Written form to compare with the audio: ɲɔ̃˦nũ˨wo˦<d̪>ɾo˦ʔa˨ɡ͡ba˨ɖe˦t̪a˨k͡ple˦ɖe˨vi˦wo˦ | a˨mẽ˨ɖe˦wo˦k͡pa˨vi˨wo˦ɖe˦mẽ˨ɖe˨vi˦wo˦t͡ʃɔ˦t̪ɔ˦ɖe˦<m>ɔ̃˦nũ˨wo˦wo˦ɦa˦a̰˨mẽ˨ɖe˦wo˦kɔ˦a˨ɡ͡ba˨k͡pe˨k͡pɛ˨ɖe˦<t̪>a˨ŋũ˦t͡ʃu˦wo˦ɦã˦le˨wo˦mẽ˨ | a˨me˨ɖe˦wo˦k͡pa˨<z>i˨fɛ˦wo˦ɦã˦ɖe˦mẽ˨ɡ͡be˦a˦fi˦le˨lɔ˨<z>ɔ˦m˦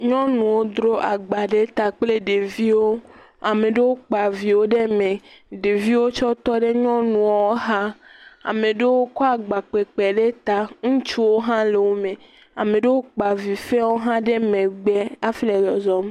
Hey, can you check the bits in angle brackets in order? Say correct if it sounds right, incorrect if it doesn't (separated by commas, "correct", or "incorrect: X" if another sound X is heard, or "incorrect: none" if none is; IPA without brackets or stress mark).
correct, incorrect: ɲ, correct, incorrect: v, correct